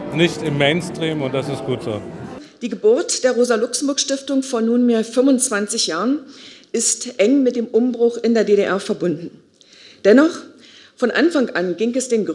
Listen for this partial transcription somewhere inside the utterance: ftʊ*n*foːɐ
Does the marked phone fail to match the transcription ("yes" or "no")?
yes